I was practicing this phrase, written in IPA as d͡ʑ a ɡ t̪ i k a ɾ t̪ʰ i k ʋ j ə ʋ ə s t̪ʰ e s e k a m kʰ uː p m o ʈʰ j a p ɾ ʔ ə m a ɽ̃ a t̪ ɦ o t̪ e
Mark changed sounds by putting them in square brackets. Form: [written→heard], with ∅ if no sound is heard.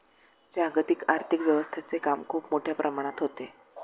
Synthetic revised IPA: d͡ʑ a ɡ t̪ i k a ɾ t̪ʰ i k ʋ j ə ʋ ə s t̪ʰ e [s→t͡s] e k a m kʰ uː p m o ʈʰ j a p ɾ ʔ ə m a ɽ̃ a t̪ ɦ o t̪ e